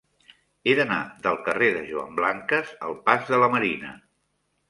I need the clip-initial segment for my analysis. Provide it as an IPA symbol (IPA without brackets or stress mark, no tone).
e